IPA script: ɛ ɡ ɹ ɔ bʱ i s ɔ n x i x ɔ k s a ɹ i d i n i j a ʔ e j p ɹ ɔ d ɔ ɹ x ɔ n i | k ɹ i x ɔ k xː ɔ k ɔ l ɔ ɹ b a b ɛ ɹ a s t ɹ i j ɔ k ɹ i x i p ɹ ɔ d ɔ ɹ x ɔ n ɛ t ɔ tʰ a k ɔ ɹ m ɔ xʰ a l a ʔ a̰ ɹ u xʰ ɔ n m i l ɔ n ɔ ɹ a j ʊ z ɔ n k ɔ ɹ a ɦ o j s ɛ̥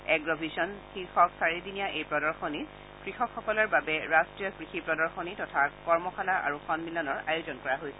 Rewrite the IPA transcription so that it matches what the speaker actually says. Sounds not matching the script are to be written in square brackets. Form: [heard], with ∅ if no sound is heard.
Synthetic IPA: ɛ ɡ ɹ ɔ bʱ i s ɔ n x i x ɔ k s a ɹ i d i n i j a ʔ e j p ɹ ɔ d ɔ ɹ x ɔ n i | k ɹ i x ɔ k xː ɔ k ɔ l ɔ ɹ b a b ɛ ɹ a s t ɹ i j ɔ k ɹ i x i p ɹ ɔ d ɔ ɹ x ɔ n [i] t ɔ tʰ a k ɔ ɹ m ɔ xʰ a l a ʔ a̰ ɹ u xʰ ɔ n m i l ɔ n ɔ ɹ a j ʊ z ɔ n k ɔ ɹ a ɦ o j s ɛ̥

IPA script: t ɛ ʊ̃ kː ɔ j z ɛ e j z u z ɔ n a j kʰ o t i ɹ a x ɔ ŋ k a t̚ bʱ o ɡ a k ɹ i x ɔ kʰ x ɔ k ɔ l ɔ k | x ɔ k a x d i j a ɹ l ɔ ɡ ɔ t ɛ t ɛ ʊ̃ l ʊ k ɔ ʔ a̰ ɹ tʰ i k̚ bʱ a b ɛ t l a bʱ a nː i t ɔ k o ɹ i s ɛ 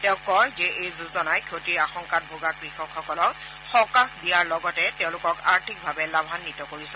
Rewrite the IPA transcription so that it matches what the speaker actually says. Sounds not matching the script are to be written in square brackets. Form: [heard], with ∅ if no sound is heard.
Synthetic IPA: t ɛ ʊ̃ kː ɔ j z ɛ e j z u z ɔ n a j kʰ o t i ɹ a x ɔ ŋ k a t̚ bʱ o ɡ a k ɹ i x ɔ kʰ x ɔ k ɔ l ɔ k | x ɔ k a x d i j a ɹ l ɔ ɡ ɔ t ɛ t ɛ ʊ̃ l ʊ k ɔ [k] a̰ ɹ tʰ i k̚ bʱ a b ɛ [∅] l a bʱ a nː i t ɔ k o ɹ i s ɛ

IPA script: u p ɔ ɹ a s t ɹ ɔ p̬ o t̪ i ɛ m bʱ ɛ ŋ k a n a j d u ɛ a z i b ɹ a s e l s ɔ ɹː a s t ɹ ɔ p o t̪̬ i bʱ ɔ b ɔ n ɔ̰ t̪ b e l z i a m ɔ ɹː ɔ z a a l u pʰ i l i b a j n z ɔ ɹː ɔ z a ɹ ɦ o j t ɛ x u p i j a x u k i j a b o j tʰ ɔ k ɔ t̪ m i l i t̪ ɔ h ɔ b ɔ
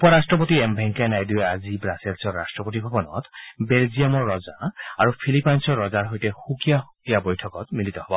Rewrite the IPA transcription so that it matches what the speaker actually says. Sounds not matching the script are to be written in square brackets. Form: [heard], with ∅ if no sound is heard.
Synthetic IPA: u p ɔ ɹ a s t ɹ ɔ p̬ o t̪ i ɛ m bʱ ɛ ŋ k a n a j d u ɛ a z i b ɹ a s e l s ɔ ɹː a s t ɹ ɔ p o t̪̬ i bʱ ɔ b ɔ n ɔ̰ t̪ b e l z i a m ɔ ɹː ɔ z a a [ɹ] u pʰ i l i [p] a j n [s] ɔ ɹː ɔ z a ɹ ɦ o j t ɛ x u [k] i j a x u k i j a b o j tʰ ɔ k ɔ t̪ m i l i t̪ ɔ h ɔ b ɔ

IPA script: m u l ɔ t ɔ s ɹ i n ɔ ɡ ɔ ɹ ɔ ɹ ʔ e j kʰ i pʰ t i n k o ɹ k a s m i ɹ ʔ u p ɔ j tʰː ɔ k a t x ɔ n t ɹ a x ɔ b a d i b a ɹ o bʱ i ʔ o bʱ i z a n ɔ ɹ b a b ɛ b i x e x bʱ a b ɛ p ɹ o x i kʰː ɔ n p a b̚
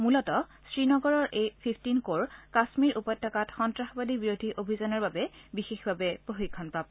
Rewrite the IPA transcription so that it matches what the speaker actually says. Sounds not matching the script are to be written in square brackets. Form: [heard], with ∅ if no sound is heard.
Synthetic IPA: m u l ɔ t ɔ s ɹ i n ɔ ɡ ɔ ɹ ɔ ɹ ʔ e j [pʰ] i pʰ t i n k o ɹ k a s m i ɹ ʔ u p ɔ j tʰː ɔ k a t x ɔ n t ɹ a x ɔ b a d i b [i] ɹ o [dʱ] i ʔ o bʱ i z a n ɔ ɹ b a b ɛ b i x e x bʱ a b ɛ p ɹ o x i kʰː ɔ n p a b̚

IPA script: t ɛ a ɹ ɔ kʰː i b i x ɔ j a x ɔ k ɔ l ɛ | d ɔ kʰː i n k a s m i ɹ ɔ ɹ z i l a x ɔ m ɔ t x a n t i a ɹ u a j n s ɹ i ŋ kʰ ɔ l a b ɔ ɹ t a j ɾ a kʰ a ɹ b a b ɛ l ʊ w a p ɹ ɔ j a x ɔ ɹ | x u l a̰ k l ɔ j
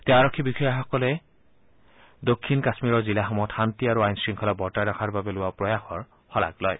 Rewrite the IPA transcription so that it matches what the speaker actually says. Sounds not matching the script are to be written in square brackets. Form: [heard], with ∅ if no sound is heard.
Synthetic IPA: t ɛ a ɹ ɔ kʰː i b i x ɔ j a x ɔ k ɔ l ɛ | d [o] kʰː i n k a s m i ɹ ɔ ɹ z i l a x ɔ m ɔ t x a n t i a ɹ u a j n s ɹ i ŋ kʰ ɔ l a b ɔ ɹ t a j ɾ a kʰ a ɹ b a b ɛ l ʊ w a p ɹ ɔ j a x ɔ ɹ | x [ɔ] l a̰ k l ɔ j

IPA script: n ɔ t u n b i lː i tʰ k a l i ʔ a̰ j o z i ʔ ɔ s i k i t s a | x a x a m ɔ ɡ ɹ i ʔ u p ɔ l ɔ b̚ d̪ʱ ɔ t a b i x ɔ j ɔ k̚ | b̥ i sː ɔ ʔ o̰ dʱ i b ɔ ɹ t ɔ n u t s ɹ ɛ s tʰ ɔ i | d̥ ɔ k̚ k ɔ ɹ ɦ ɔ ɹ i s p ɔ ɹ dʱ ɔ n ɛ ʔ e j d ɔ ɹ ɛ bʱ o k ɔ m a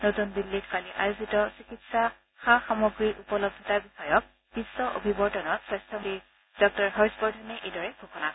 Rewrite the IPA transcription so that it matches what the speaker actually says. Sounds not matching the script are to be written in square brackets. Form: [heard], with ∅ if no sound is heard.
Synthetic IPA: n [o] t u n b i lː i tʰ k a l i ʔ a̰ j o z i [t] ɔ s i k i t s a | x a x a m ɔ ɡ ɹ i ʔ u p ɔ l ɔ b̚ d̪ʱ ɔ t a b i x ɔ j ɔ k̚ | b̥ i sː ɔ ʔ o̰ [bʱ] i b ɔ ɹ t ɔ n [ɔ] t s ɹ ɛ s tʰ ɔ i | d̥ ɔ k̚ [t] ɔ ɹ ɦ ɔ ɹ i s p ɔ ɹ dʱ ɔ n ɛ ʔ e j d ɔ ɹ ɛ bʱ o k ɔ [n] a

